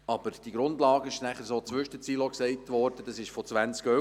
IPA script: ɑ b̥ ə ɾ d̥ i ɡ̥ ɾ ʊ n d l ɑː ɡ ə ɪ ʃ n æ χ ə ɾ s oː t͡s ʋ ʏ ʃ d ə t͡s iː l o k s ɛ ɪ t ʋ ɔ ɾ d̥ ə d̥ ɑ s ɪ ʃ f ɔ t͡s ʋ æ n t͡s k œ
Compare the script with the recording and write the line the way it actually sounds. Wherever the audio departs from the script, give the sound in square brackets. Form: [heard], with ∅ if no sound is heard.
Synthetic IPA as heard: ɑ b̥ ə ɾ d̥ i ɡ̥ ɾ ʊ n d l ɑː ɡ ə ɪ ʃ n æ χ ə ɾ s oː t͡s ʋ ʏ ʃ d ə t͡s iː l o k s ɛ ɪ t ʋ ɔ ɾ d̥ ə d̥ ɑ s ɪ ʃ f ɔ t͡s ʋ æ n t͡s k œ